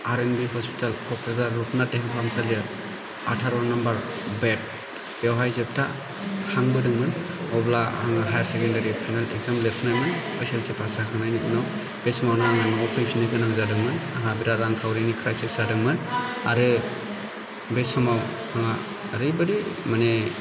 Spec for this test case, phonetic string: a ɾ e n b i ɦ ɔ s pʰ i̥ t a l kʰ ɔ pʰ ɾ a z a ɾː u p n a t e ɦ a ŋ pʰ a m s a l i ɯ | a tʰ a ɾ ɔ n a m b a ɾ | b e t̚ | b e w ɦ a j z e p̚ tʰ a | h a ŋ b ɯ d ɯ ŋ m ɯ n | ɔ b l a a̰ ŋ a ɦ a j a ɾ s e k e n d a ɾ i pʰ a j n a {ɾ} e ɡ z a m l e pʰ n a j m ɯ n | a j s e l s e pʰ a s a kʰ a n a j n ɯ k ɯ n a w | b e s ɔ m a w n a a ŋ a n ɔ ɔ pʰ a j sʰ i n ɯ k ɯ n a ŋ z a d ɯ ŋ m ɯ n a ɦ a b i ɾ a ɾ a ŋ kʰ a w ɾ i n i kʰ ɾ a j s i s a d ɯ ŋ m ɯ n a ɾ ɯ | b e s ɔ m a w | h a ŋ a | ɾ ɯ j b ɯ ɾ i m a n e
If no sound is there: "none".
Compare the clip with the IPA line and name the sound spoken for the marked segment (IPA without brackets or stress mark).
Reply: l